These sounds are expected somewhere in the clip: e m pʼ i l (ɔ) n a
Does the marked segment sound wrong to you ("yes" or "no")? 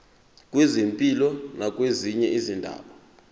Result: no